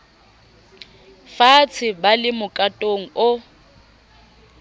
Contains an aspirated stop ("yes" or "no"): yes